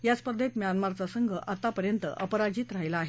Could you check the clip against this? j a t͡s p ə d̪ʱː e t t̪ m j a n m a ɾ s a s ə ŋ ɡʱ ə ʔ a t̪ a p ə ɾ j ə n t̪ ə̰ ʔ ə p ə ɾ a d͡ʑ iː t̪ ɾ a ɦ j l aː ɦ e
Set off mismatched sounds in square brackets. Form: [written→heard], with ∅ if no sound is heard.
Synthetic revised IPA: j a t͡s p ə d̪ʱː e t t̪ m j a n m a ɾ [s→t͡s] a s ə ŋ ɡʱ ə ʔ a t̪ a p ə ɾ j ə n t̪ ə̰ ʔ ə p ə ɾ a d͡ʑ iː t̪ ɾ a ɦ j l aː ɦ e